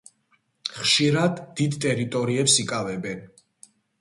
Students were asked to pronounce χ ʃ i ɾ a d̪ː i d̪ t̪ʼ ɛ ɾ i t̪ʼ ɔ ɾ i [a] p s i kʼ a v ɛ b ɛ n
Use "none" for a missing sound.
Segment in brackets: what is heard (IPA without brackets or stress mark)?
ɛ